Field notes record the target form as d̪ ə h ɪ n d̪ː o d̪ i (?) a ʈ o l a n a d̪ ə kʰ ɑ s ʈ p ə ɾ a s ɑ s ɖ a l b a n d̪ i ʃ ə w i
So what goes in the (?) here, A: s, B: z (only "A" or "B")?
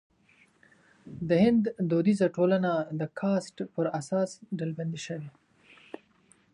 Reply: B